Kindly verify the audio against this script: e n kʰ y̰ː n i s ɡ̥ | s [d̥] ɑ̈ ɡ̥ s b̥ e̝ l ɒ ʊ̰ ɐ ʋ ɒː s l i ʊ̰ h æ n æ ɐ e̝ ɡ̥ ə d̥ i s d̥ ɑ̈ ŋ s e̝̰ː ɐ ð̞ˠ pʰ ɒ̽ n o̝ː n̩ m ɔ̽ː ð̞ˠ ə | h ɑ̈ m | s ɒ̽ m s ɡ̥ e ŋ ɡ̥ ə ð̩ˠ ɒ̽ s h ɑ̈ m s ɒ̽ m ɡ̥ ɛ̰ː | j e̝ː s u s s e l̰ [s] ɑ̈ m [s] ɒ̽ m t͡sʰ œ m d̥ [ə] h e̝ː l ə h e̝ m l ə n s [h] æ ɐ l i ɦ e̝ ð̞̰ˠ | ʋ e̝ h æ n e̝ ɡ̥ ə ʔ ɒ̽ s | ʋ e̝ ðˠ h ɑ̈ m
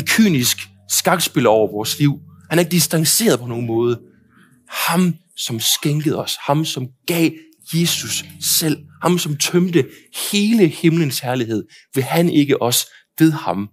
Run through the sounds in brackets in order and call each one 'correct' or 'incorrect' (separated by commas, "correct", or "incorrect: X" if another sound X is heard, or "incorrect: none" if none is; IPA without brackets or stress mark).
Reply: incorrect: ɡ̥, incorrect: h, correct, correct, correct